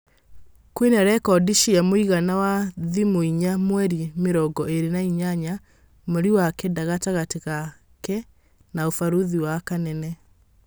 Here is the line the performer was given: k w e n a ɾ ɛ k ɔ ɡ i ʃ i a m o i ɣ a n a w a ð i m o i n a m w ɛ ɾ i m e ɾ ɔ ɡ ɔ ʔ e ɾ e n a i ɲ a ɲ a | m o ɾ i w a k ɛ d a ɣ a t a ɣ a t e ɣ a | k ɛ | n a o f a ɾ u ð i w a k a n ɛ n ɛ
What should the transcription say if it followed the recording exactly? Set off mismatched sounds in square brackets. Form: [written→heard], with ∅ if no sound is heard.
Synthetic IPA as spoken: k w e n a ɾ ɛ k ɔ [ɡ→d] i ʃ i a m o i ɣ a n a w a ð i m o i [n→ɲ] a m w ɛ ɾ i m e ɾ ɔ ɡ ɔ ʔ e ɾ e n a i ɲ a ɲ a | m o ɾ i w a k ɛ d a ɣ a t a ɣ a t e ɣ a | k ɛ | n a o f a ɾ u ð i w a k a n ɛ n ɛ